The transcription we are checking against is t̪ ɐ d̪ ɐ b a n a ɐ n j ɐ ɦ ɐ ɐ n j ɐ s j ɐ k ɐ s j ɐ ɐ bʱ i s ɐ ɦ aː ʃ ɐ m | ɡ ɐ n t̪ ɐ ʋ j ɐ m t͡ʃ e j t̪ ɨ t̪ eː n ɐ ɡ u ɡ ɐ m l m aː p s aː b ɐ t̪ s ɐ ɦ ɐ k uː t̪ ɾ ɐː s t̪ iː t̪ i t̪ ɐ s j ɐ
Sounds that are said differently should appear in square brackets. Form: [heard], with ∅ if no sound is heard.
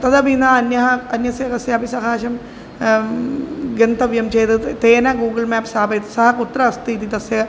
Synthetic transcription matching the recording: t̪ ɐ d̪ ɐ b [i] n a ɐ n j ɐ ɦ ɐ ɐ n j ɐ s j ɐ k ɐ s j ɐ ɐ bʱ i s ɐ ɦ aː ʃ ɐ m | ɡ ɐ n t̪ ɐ ʋ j ɐ m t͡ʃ e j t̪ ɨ t̪ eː n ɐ ɡ [uː] ɡ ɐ [∅] l m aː p s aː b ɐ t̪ s ɐ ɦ ɐ k [u] t̪ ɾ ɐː s t̪ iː t̪ i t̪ ɐ s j ɐ

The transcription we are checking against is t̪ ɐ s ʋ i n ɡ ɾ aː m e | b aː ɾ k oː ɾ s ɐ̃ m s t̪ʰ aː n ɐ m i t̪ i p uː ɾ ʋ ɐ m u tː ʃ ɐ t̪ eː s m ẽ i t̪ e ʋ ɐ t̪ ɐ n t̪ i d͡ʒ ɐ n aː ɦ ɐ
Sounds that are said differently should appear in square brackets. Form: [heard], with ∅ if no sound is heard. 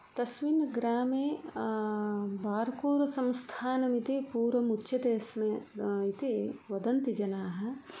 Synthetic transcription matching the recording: t̪ ɐ s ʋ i n ɡ ɾ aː m e | b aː ɾ k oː ɾ s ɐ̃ m s t̪ʰ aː n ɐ m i t̪ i p uː ɾ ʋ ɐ m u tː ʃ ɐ t̪ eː s m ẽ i t̪ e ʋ ɐ [d̪] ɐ n t̪ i d͡ʒ ɐ n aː ɦ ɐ

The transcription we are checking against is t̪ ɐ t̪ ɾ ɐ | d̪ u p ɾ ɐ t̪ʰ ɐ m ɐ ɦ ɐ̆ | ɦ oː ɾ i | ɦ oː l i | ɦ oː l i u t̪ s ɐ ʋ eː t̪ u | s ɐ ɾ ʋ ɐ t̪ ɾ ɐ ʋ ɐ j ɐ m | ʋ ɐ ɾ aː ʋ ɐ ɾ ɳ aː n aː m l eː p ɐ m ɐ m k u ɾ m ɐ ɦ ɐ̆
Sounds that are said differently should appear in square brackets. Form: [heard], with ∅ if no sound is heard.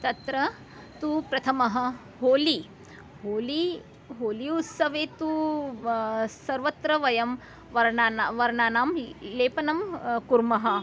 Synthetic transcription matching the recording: t̪ ɐ t̪ ɾ ɐ | [t̪] u p ɾ ɐ t̪ʰ ɐ m ɐ ɦ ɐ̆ | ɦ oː [l] i | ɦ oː l i | ɦ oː l i u t̪ s ɐ ʋ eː t̪ u | s ɐ ɾ ʋ ɐ t̪ ɾ ɐ ʋ ɐ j ɐ m | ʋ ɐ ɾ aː ʋ ɐ ɾ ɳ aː n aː m l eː p ɐ [n] ɐ m k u ɾ m ɐ ɦ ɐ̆

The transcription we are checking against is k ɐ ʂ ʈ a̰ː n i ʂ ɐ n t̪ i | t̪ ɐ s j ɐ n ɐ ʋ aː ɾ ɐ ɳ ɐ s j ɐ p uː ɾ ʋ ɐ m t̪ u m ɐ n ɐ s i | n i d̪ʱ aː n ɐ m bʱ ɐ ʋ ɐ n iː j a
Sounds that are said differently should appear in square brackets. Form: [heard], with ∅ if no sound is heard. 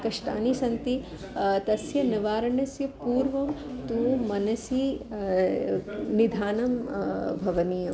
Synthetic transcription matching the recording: k ɐ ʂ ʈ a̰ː n i [s] ɐ n t̪ i | t̪ ɐ s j ɐ n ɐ ʋ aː ɾ ɐ ɳ ɐ s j ɐ p uː ɾ ʋ ɐ m t̪ u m ɐ n ɐ s i | n i d̪ʱ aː n ɐ m bʱ ɐ ʋ ɐ n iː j [ɐ]

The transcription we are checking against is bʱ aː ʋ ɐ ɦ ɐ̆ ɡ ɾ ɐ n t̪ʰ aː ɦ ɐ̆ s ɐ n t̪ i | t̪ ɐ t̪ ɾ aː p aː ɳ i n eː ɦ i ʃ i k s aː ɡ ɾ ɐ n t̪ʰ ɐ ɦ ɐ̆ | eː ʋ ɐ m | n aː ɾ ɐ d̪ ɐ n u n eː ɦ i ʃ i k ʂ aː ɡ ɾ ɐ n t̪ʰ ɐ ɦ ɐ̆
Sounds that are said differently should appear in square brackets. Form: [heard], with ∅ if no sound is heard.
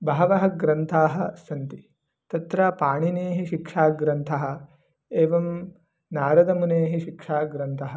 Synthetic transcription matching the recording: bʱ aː ʋ ɐ ɦ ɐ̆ ɡ ɾ ɐ n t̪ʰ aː ɦ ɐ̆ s ɐ n t̪ i | t̪ ɐ t̪ ɾ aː p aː ɳ i n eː ɦ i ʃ i k [ʂ] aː ɡ ɾ ɐ n t̪ʰ ɐ ɦ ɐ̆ | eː ʋ ɐ m | n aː ɾ ɐ d̪ ɐ [m] u n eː ɦ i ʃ i k ʂ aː ɡ ɾ ɐ n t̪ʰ ɐ ɦ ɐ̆

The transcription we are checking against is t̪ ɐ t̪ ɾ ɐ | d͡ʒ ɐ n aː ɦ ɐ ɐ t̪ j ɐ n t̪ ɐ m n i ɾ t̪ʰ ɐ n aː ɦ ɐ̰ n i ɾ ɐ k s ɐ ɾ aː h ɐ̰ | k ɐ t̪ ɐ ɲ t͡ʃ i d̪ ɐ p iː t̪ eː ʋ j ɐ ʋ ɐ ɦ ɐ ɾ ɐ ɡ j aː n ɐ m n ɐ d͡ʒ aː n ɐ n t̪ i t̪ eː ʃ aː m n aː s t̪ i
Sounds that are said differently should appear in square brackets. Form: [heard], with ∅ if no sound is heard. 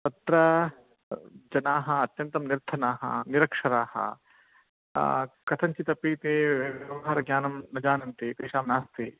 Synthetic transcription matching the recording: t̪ ɐ t̪ ɾ ɐ | d͡ʒ ɐ n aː ɦ ɐ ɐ t̪ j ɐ n t̪ ɐ m n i ɾ t̪ʰ ɐ n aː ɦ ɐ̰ n i ɾ ɐ k [ʂ] ɐ ɾ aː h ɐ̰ | k ɐ [t̪ʰ] ɐ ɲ t͡ʃ i [t̪] ɐ p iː t̪ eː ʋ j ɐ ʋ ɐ ɦ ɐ ɾ ɐ ɡ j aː n ɐ m n ɐ d͡ʒ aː n ɐ n t̪ i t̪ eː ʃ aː m n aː s t̪ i

